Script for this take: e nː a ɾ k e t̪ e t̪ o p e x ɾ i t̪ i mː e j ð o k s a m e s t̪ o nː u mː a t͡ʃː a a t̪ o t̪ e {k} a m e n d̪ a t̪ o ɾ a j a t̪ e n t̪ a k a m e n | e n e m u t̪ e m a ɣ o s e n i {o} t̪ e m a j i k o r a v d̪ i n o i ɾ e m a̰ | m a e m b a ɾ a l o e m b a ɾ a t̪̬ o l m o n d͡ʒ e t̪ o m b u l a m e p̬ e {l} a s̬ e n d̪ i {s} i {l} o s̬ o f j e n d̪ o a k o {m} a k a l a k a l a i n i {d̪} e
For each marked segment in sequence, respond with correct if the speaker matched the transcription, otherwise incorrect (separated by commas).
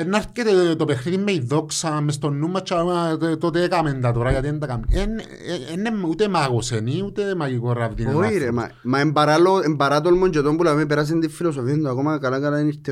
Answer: correct, incorrect, incorrect, incorrect, correct, correct, incorrect